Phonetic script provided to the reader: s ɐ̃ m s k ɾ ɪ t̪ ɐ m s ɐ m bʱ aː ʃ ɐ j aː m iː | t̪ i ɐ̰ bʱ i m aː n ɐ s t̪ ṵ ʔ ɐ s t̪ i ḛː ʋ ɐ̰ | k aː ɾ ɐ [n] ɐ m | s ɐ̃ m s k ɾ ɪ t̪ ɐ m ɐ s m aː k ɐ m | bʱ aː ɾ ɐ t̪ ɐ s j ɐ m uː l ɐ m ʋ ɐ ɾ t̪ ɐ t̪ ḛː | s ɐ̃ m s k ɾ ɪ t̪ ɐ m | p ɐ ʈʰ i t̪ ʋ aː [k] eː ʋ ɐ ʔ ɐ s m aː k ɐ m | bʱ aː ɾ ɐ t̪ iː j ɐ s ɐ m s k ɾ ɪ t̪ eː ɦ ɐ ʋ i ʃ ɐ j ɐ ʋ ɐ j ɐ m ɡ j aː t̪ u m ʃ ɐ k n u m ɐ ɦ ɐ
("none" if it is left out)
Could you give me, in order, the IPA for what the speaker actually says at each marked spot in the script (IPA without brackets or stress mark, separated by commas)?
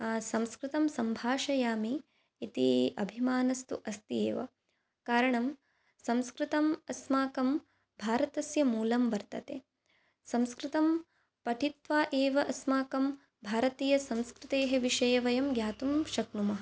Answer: ɳ, ʔ